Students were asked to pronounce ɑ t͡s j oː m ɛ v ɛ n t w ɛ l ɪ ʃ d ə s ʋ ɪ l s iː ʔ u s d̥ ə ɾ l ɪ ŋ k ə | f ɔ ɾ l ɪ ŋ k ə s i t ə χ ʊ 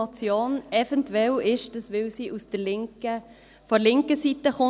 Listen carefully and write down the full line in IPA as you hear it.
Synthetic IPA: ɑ t͡s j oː n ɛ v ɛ n t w ɛ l ɪ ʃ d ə s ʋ ɪ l s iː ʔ u s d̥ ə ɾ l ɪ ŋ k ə | f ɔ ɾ l ɪ ŋ k ə s i t ə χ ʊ